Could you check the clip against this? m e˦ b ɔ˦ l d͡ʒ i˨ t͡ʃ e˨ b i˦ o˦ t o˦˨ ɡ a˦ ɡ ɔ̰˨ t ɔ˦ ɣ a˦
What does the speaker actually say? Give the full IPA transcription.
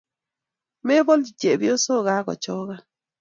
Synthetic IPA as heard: m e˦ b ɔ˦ l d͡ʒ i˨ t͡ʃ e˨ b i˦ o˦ s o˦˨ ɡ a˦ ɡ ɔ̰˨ t͡ʃ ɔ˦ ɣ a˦